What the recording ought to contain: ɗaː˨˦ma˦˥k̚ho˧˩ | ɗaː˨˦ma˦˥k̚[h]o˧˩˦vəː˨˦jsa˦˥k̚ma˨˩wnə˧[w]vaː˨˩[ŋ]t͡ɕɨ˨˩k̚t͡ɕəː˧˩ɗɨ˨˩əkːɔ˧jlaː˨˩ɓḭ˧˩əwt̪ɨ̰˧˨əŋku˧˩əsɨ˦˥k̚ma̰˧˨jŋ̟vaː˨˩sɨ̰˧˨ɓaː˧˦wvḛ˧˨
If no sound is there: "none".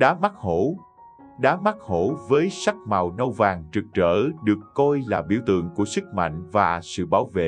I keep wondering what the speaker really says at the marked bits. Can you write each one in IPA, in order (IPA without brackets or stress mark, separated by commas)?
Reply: h, w, ŋ